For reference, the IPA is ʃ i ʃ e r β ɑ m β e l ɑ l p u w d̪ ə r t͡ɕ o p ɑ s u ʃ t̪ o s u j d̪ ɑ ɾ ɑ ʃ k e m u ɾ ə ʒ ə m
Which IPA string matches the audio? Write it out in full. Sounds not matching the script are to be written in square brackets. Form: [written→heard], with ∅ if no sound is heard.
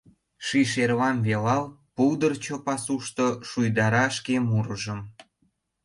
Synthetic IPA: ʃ i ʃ e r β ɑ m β e l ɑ l p u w d̪ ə r t͡ɕ o p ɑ s u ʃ t̪ o [s→ʃ] u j d̪ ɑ ɾ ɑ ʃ k e m u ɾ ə ʒ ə m